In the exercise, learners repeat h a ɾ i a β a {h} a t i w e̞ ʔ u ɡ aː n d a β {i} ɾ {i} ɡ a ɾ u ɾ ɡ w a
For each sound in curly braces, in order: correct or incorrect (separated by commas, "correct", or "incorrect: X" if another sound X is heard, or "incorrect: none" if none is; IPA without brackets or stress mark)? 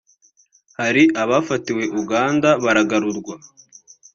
incorrect: f, incorrect: a, incorrect: a